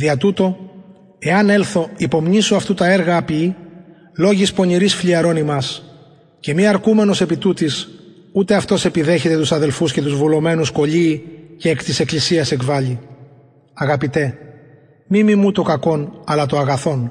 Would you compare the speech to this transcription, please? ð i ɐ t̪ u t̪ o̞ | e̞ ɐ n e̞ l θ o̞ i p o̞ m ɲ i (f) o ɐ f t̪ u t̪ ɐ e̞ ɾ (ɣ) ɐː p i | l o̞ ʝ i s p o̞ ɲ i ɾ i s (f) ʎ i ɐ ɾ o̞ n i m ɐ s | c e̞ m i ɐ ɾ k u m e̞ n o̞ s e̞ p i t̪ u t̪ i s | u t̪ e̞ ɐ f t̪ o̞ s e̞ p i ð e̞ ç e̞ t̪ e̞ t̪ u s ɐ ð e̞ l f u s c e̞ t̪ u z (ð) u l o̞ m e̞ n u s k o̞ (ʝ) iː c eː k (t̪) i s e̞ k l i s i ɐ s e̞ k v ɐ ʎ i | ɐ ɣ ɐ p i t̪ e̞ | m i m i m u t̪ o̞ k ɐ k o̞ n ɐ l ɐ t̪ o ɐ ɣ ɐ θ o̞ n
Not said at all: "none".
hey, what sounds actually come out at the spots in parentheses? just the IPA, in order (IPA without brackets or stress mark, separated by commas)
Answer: s, ɣ, f, v, ʎ, t̪